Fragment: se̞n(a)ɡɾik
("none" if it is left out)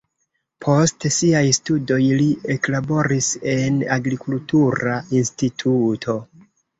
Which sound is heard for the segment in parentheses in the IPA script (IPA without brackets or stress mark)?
a